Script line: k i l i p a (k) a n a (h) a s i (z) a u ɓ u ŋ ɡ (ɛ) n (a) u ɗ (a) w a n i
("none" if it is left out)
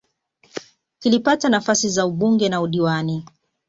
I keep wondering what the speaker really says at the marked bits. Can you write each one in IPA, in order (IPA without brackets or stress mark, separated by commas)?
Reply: t, f, z, ɛ, a, i